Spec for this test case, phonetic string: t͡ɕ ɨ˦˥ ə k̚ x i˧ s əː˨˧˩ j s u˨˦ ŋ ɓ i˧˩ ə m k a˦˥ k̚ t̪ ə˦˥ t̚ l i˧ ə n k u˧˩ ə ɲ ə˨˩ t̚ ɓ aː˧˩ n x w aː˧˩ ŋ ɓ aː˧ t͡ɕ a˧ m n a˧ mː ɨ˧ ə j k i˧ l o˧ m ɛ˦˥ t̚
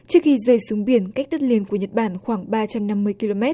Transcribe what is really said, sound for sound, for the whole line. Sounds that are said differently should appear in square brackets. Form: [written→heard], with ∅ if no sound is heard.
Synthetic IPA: t͡ɕ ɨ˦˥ ə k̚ x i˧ [s→z] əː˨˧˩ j s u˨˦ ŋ ɓ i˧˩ ə [m→n] k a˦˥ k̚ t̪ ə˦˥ t̚ l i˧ ə n k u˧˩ ə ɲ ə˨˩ t̚ ɓ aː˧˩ n x w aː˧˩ ŋ ɓ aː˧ t͡ɕ a˧ m n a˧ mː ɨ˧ ə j k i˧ l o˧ m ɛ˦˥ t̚

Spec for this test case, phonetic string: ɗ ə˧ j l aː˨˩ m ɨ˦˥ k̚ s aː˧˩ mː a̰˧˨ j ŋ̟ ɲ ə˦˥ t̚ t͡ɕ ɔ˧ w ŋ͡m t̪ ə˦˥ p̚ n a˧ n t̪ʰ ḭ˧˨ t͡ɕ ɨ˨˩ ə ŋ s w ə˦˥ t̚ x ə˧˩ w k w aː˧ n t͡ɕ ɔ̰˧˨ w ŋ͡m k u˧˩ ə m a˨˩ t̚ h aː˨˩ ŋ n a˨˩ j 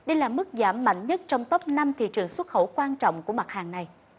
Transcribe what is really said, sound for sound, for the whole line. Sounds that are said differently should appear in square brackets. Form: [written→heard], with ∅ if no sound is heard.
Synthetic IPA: ɗ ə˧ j l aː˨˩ m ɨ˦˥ k̚ [s→z] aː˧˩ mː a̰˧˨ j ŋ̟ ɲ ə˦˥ t̚ t͡ɕ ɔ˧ w ŋ͡m t̪ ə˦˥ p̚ n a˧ [n→m] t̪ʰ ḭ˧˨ t͡ɕ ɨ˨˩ ə ŋ s w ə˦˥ t̚ x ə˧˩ w k w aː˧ n t͡ɕ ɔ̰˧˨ w ŋ͡m k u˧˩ ə m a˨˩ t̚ h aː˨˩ ŋ n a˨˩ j

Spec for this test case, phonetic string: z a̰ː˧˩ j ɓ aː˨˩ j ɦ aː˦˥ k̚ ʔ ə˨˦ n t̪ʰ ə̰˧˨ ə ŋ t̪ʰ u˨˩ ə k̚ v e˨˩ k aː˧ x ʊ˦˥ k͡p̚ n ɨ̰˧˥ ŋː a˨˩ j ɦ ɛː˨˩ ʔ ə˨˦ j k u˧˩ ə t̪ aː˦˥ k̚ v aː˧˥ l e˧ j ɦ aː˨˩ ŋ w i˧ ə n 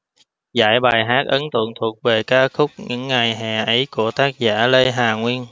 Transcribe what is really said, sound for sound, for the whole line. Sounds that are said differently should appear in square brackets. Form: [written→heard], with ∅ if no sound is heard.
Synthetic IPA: z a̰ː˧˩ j ɓ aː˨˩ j ɦ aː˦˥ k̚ ʔ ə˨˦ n [t̪ʰ→t̪] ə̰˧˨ ə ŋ t̪ʰ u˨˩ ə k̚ v e˨˩ k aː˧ x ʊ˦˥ k͡p̚ [n→ɲ] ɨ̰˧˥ ŋː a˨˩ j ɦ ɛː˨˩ ʔ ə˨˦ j k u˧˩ ə t̪ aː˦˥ k̚ [v→z] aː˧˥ l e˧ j ɦ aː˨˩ ŋ w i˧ ə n

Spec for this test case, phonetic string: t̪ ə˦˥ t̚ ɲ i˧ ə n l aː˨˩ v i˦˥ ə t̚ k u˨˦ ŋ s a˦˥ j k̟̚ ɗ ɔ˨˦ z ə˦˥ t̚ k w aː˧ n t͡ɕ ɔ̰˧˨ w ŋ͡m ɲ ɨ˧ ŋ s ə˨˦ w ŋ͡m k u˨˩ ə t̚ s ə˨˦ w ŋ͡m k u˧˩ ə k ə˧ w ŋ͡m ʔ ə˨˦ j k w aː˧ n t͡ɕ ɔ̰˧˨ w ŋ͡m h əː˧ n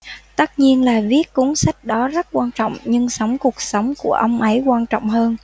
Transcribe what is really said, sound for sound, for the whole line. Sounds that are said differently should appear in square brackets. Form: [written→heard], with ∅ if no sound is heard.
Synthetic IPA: t̪ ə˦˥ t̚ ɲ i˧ ə n l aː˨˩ v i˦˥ ə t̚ k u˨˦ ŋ s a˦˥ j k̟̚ ɗ ɔ˨˦ z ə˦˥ t̚ k w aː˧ n t͡ɕ ɔ̰˧˨ w ŋ͡m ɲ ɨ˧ ŋ s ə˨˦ w ŋ͡m k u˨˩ ə [t̚→k̚] s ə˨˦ w ŋ͡m k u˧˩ ə [k→ʔ] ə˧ w ŋ͡m ʔ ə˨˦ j k w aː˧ n t͡ɕ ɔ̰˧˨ w ŋ͡m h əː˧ n

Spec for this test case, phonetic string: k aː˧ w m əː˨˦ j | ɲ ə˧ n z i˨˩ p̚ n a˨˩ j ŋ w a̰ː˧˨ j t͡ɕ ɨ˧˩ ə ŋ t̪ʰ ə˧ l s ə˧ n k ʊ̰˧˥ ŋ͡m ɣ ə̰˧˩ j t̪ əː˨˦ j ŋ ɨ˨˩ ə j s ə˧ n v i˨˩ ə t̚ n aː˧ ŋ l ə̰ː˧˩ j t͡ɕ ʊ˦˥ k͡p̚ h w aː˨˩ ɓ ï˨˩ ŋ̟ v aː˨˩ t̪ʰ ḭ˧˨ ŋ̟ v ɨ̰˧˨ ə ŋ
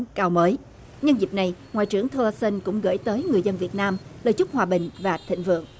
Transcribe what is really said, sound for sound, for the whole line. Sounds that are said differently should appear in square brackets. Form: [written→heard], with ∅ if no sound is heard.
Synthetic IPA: k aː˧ w m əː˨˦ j | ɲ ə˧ n z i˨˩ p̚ n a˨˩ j ŋ w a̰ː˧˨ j t͡ɕ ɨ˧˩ ə ŋ t̪ʰ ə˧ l s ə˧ n k ʊ̰˧˥ ŋ͡m ɣ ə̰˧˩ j t̪ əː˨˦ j ŋ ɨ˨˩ ə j [s→z] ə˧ n v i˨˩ ə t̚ n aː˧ [ŋ→m] l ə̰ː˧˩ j t͡ɕ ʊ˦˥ k͡p̚ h w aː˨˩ ɓ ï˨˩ ŋ̟ v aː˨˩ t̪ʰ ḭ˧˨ ŋ̟ v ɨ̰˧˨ ə ŋ

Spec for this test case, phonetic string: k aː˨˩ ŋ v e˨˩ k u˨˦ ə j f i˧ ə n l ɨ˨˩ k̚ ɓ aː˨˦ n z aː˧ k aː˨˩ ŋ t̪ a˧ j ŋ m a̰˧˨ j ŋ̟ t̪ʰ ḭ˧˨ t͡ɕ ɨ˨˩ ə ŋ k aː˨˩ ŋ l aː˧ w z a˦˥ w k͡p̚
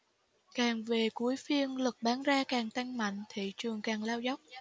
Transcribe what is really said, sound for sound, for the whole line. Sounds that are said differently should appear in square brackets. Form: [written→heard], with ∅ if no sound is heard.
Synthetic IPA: k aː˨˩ ŋ v e˨˩ k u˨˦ ə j f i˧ ə n l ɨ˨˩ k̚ ɓ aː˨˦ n z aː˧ k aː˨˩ ŋ t̪ a˧ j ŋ m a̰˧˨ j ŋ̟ t̪ʰ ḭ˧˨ t͡ɕ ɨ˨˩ ə ŋ k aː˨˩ ŋ l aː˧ w z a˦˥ w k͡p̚

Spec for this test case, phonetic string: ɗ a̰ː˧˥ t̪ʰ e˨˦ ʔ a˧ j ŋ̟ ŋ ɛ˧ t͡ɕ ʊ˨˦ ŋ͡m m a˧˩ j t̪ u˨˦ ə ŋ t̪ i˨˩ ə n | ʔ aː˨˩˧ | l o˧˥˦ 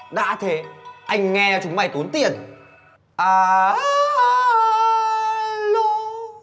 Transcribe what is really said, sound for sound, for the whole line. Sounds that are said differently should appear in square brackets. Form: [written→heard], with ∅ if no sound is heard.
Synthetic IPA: ɗ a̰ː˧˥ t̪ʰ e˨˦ ʔ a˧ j ŋ̟ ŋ ɛ˧ t͡ɕ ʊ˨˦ ŋ͡m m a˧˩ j t̪ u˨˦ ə [ŋ→n] t̪ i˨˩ ə n | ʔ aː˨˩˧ | l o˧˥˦

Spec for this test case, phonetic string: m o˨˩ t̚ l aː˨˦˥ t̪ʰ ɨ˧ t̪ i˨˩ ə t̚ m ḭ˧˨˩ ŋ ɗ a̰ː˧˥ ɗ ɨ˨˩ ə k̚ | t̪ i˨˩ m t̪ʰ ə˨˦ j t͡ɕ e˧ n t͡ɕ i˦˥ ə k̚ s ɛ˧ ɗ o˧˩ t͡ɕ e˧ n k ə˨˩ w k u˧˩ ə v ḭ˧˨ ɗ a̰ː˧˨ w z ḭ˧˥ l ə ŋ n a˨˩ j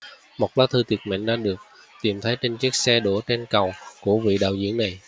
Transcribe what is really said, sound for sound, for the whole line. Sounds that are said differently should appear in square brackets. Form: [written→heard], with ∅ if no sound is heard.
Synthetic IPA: m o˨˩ t̚ l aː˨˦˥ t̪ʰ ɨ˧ t̪ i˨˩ ə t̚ m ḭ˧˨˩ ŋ ɗ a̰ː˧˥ ɗ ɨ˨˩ ə k̚ | t̪ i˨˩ m t̪ʰ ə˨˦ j t͡ɕ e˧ n t͡ɕ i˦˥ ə k̚ s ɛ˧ ɗ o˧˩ t͡ɕ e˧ n k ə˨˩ w k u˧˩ ə v ḭ˧˨ ɗ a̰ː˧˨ w z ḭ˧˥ [l→∅] ə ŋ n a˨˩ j

